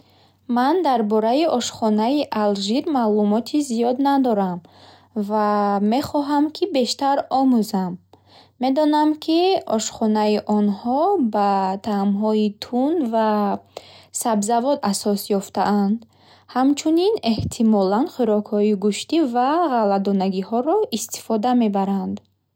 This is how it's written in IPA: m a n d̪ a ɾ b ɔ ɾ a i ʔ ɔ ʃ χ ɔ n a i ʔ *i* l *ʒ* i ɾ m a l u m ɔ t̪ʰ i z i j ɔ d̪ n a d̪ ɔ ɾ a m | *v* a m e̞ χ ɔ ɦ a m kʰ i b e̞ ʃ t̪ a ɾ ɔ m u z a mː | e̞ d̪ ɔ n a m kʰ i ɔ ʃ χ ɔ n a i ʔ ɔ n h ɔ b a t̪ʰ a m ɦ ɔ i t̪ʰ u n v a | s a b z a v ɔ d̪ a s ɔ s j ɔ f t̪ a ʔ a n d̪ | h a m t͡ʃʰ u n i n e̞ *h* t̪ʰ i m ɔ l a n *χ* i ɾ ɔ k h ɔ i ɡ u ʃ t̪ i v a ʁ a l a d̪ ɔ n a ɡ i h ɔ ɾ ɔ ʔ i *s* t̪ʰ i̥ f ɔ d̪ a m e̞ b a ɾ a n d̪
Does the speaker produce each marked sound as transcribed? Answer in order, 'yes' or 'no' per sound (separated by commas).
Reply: no, yes, yes, yes, yes, yes